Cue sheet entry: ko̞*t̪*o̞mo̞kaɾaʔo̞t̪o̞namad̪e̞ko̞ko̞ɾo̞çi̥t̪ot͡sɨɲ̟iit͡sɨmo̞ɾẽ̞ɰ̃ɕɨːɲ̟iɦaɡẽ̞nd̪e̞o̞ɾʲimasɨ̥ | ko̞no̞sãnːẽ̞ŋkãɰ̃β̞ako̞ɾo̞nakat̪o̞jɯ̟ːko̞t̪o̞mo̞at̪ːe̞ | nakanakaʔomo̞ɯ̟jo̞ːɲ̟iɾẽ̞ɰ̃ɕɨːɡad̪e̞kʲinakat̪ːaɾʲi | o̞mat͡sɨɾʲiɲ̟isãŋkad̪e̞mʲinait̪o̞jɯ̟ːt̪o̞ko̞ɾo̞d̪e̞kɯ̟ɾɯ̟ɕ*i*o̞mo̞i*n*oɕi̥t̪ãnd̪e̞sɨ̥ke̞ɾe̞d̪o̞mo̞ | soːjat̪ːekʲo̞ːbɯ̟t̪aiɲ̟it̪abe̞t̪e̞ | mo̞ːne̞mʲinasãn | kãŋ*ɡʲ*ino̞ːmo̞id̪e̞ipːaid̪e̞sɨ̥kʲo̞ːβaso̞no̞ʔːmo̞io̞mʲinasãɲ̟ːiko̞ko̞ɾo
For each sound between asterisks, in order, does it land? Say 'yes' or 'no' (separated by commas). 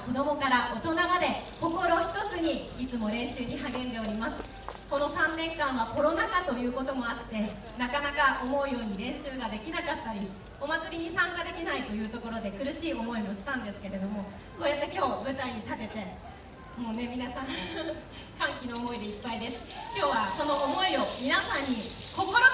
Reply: no, no, no, no